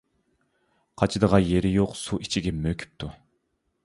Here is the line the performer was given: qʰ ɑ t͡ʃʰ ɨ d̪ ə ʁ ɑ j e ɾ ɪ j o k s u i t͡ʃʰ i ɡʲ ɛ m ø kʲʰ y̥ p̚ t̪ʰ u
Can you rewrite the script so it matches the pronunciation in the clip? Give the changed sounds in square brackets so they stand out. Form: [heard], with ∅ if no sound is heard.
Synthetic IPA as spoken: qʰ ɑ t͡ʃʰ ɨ d̪ ə ʁ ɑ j e ɾ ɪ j o [q] s u i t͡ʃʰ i ɡʲ ɛ m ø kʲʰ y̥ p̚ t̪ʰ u

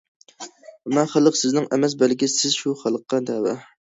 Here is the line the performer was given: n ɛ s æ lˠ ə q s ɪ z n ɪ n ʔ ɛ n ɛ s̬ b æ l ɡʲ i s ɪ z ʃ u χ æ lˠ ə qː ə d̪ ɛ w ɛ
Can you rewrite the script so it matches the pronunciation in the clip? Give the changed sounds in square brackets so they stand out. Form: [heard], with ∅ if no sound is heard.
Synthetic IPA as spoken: [m] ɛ [χ] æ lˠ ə q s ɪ z n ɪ [ŋ] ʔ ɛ [m] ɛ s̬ b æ l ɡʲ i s ɪ z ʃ u χ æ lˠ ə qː [ɑ] d̪ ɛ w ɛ

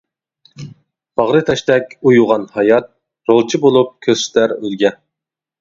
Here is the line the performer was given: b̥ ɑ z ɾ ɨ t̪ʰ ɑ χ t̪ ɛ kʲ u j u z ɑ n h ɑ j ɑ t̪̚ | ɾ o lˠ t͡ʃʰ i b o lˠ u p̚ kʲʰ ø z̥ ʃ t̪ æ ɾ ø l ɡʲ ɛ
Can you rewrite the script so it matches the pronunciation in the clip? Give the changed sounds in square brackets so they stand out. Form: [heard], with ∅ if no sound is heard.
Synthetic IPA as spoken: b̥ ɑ [ʁ] ɾ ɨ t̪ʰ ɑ [ʃ] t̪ ɛ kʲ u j u [ʁ] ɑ n h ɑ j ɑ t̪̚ | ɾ o lˠ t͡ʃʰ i b o lˠ u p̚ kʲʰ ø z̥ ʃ t̪ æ ɾ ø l ɡʲ ɛ

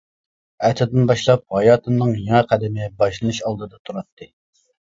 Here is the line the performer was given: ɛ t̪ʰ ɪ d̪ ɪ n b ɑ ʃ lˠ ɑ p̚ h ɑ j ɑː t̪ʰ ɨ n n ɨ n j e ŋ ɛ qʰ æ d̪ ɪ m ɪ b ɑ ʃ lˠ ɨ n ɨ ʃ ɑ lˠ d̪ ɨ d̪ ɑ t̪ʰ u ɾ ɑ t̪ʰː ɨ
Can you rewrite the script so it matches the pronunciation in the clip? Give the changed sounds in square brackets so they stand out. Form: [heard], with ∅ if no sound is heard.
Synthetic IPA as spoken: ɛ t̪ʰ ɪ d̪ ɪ n b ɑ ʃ lˠ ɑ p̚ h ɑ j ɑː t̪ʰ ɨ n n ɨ [ŋ] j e ŋ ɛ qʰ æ d̪ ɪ m ɪ b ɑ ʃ lˠ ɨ n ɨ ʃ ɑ lˠ d̪ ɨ d̪ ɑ t̪ʰ u ɾ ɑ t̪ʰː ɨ

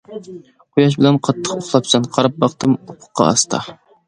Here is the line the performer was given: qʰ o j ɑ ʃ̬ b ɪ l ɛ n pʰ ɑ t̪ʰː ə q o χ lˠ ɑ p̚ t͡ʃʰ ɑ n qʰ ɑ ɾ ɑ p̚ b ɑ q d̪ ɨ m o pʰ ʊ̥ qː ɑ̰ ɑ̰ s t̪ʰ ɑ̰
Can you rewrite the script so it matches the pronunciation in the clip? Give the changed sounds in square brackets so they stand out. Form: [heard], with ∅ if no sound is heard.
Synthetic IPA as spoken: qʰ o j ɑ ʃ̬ b ɪ l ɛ n [qʰ] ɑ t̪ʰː ə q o χ lˠ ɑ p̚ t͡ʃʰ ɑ n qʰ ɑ ɾ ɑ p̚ b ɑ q [t̪] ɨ m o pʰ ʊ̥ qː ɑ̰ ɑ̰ s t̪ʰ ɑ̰

